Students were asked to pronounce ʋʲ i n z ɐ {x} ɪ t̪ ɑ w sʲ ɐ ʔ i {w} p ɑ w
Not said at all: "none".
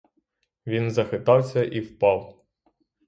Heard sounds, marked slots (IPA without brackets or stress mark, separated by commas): x, w